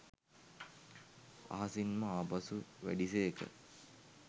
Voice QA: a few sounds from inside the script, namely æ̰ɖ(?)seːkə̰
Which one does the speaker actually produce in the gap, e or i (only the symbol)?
i